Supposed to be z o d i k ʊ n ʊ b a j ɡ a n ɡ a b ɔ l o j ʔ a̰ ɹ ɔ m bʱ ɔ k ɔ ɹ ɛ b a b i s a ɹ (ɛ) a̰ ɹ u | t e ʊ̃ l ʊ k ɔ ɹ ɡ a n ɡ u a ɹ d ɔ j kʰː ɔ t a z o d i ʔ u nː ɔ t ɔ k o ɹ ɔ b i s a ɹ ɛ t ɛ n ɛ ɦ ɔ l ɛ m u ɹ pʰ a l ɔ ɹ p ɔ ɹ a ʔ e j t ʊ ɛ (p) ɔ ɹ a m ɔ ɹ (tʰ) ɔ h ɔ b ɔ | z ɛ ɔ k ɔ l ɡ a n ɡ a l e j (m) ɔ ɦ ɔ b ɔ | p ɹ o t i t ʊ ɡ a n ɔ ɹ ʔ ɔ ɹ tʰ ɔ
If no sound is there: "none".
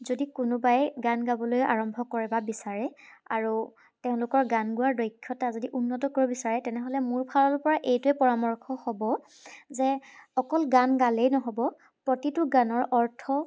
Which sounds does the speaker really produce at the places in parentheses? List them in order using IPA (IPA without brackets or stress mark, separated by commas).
ɛ, p, kʰ, n